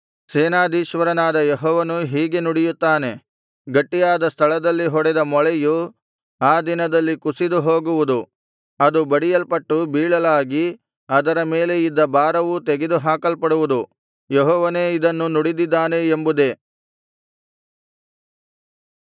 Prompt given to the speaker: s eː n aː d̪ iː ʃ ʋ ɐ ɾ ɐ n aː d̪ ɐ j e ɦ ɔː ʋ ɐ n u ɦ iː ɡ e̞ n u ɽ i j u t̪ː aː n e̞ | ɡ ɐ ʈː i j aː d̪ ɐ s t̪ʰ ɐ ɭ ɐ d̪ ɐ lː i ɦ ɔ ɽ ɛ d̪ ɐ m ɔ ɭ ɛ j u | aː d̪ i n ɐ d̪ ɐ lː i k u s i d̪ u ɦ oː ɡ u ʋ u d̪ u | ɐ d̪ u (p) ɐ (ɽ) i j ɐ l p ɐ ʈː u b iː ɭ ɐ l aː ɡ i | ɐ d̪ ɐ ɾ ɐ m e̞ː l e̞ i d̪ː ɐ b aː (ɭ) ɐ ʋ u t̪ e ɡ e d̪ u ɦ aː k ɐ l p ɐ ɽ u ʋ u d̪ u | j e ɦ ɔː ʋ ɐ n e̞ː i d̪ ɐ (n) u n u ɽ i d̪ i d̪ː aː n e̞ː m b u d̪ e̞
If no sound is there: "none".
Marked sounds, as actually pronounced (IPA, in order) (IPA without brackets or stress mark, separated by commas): b, ɽ, ɾ, nː